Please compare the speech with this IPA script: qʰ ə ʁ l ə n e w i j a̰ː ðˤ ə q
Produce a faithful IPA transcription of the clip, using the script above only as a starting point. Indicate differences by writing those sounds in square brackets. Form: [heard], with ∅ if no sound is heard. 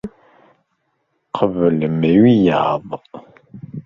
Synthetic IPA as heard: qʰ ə [v] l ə [m] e w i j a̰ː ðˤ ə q